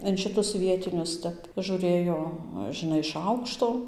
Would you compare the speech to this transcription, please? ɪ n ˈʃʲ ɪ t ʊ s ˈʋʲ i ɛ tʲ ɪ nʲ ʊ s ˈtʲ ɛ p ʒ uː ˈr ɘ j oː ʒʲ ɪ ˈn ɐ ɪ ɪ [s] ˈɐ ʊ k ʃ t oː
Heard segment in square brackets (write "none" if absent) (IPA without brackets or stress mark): ʃ